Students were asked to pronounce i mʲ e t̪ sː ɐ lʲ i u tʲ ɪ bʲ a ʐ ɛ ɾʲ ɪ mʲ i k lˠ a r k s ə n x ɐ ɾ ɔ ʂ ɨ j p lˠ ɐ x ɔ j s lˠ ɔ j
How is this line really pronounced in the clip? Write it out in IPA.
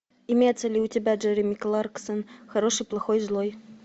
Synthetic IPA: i mʲ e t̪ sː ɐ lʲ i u tʲ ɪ bʲ a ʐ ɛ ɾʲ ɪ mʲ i k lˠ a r k s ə n x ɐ ɾ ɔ ʂ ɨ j p lˠ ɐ x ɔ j z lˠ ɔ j